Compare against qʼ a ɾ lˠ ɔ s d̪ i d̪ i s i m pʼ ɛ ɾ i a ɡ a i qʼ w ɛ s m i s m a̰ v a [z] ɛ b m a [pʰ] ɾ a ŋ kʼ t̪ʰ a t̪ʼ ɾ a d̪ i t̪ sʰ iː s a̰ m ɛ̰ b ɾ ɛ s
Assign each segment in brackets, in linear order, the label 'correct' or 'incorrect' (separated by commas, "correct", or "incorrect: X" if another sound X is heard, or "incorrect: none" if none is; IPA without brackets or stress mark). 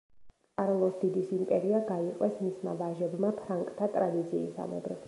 incorrect: ʒ, correct